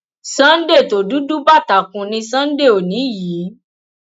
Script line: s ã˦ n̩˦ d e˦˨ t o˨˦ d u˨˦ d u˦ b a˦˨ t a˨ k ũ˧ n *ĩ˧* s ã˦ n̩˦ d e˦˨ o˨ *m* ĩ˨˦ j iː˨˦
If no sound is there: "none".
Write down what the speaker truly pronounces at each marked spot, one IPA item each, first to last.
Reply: ĩ˧, n

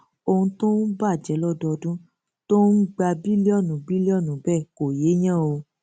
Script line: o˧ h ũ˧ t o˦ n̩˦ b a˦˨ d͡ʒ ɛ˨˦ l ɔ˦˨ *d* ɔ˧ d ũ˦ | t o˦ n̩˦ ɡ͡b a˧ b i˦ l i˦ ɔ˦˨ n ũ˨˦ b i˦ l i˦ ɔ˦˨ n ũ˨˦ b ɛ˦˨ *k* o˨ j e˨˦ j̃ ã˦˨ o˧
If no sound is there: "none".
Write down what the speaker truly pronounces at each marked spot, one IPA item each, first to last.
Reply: d, k

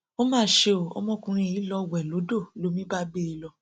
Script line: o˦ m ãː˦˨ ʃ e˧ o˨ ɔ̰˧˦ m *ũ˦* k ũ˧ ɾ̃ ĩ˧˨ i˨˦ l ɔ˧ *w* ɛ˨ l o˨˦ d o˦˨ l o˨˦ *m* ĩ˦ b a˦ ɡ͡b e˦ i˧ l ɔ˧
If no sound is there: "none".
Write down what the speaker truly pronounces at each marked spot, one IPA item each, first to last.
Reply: ɔ̃˦, w, m

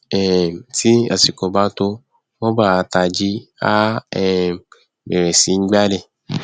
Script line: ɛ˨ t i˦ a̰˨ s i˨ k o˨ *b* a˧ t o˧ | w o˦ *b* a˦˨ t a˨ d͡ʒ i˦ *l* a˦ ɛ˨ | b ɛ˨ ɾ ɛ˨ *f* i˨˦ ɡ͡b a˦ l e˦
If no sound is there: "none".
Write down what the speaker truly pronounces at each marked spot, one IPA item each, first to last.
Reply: b, b, none, s

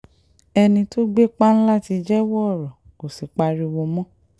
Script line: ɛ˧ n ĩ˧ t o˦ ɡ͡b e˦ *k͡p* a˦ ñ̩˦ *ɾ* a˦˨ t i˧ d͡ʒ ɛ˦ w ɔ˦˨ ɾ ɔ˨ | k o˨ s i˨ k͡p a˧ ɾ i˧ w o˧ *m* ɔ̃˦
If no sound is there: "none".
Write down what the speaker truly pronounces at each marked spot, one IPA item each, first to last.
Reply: k͡p, l, m

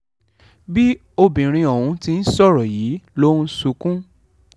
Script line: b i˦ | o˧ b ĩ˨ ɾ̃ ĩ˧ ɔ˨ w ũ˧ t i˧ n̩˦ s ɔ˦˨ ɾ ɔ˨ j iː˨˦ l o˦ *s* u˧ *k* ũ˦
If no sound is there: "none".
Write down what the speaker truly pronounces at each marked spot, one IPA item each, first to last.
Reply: s, k

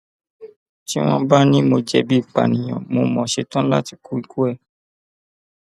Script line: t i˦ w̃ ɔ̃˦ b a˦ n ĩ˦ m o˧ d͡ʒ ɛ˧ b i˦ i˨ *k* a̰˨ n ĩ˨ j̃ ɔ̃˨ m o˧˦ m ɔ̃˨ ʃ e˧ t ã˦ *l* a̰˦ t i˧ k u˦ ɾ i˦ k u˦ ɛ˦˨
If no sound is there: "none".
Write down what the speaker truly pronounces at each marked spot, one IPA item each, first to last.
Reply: k͡p, l

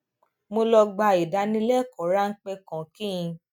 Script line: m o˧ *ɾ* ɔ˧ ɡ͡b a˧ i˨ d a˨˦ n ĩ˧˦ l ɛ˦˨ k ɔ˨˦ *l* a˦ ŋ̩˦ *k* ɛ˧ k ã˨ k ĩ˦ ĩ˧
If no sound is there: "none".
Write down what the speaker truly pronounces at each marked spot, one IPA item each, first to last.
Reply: l, ɾ, k͡p

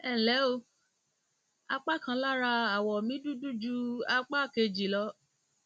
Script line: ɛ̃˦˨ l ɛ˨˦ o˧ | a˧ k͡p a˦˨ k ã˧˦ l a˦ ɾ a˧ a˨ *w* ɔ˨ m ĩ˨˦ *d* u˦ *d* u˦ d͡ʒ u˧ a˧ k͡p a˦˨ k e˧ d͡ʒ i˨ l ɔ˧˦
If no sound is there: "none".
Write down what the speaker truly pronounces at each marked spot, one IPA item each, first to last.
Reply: w, d, d

